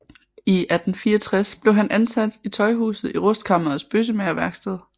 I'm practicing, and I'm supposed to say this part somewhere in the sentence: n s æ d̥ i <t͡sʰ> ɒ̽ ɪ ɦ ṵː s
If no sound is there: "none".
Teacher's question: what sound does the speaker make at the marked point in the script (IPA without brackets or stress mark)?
t͡sʰ